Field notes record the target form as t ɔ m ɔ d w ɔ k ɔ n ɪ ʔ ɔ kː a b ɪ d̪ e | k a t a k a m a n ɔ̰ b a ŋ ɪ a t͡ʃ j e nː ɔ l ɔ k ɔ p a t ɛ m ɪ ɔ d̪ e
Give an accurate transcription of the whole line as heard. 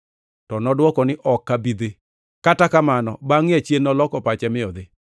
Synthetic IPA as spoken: t ɔ n ɔ d w ɔ k ɔ n ɪ ʔ ɔ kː a b i d̪ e | k a t a k a m a n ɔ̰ b a ŋ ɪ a t͡ʃ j e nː ɔ l ɔ k ɔ p a t͡ʃ ɛ m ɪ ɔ d̪ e

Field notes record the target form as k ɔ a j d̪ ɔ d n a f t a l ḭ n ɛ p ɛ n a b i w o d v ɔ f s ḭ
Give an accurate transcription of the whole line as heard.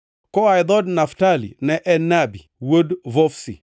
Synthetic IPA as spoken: k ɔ a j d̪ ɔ d n a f t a l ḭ n ɛ ʔ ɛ n a b i w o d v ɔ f s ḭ

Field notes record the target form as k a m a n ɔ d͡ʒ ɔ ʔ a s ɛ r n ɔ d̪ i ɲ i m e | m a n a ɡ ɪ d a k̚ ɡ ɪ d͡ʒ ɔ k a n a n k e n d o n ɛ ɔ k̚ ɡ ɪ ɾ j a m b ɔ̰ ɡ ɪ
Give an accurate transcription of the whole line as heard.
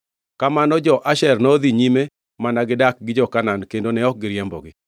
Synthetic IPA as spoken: k a m a n ɔ d͡ʒ ɔ ʔ a ʃ ɛ r n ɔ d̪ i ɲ i m e | m a n a ɡ ɪ d a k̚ ɡ ɪ d͡ʒ ɔ k a n a n k e n d o n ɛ ɔ k̚ ɡ ɪ ɾ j ɛ m b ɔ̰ ɡ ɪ

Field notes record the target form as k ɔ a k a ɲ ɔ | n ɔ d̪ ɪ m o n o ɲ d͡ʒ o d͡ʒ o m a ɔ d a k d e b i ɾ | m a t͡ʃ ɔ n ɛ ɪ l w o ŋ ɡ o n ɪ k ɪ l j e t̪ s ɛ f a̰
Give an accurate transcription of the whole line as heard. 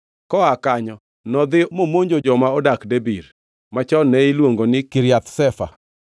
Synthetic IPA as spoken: k ɔ a k a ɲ ɔ | n ɔ d̪ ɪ m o m o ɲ d͡ʒ o d͡ʒ ɔ m a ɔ d a k d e b i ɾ | m a t͡ʃ ɔ n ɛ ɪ l w o ŋ ɡ o n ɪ k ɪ ɾ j a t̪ s ɛ f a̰

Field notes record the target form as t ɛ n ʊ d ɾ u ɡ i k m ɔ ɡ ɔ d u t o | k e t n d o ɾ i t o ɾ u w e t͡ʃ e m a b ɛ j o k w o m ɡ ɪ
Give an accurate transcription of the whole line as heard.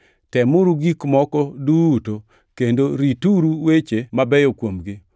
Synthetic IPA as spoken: t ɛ m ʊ ɾ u ɡ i k m ɔ k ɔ d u t o | k e n d o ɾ i t u ɾ u w e t͡ʃ e m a b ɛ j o k w o m ɡ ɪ

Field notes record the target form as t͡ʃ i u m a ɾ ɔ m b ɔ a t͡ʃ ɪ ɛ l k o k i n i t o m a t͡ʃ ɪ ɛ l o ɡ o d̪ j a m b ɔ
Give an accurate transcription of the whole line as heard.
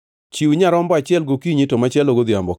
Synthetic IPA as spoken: t͡ʃ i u ɲ a ɾ ɔ m b ɔ a t͡ʃ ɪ ɛ l ɡ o k i ɲ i t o m a t͡ʃ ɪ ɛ l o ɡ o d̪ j a m b ɔ

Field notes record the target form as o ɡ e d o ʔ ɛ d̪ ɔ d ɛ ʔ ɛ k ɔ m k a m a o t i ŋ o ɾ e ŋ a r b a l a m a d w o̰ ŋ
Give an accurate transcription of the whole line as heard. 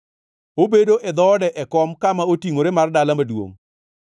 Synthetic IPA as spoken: o b e d o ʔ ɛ d̪ ɔ d ɛ ʔ ɛ k ɔ m k a m a o t i ŋ o ɾ e m a r d a l a m a d w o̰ ŋ

